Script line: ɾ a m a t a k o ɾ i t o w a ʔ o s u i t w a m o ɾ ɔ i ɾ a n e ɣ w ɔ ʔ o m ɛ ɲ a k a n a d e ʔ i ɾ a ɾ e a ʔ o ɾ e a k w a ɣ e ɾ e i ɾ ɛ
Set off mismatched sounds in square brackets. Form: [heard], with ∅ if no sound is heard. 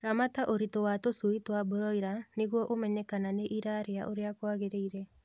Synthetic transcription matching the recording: ɾ a m a t a [ʔ] o ɾ i t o w a [t] o s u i t w a [b] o ɾ ɔ i ɾ a n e ɣ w ɔ ʔ o m ɛ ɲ [ɛ] k a n a [n] e ʔ i ɾ a ɾ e a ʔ o ɾ e a k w a ɣ e ɾ e i ɾ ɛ